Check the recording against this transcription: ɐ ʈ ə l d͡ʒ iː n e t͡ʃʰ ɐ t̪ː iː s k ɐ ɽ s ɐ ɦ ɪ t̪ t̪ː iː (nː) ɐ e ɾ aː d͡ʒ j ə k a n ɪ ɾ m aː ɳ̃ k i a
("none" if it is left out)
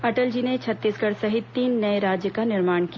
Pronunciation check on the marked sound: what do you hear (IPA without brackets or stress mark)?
nː